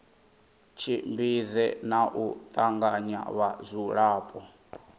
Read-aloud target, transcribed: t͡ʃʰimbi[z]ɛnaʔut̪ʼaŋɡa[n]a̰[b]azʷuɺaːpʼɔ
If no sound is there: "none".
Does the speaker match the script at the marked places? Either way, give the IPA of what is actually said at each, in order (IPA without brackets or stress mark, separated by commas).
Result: z, ɲ, β